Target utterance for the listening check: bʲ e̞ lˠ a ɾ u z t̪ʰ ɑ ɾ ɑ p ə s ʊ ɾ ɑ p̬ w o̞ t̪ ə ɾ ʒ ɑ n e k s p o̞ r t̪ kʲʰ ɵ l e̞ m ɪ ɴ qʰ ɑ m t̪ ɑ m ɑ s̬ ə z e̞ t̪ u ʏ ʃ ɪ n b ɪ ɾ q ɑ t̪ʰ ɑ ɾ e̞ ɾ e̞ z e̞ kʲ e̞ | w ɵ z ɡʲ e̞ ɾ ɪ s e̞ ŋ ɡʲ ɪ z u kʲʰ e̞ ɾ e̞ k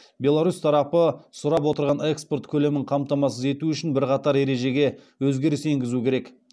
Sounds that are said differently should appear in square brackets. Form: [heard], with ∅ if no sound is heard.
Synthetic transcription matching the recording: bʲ e̞ lˠ a ɾ u [s] t̪ʰ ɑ ɾ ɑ p ə s ʊ ɾ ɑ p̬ w o̞ t̪ ə ɾ [ʁ] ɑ n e k s p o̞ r t̪ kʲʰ ɵ l e̞ m ɪ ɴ qʰ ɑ m t̪ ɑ m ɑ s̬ ə z e̞ t̪ u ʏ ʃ ɪ n b ɪ ɾ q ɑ [t̪] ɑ ɾ e̞ ɾ e̞ [ʒ] e̞ [ɡʲ] e̞ | w ɵ z ɡʲ e̞ ɾ ɪ s e̞ ŋ ɡʲ ɪ z u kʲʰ e̞ ɾ e̞ k